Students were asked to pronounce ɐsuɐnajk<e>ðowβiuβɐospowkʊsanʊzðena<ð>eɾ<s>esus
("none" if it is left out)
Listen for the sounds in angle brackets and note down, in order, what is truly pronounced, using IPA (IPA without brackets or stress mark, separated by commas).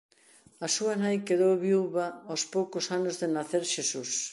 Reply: e, θ, ʃ